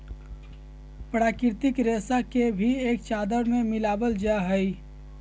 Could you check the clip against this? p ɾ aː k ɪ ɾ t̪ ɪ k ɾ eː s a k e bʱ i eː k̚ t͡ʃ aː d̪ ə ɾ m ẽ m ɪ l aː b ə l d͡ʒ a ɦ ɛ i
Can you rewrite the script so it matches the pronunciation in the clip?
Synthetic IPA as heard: p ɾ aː k ɪ ɾ t̪ ɪ k ɾ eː s a k e bʱ i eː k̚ t͡ʃ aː d̪ ə ɾ m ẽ m ɪ l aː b ə l d͡ʒ a ɦ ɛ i